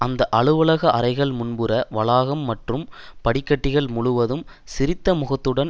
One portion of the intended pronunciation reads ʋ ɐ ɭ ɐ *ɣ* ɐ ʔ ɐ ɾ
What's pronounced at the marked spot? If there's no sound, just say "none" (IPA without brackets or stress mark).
ɣ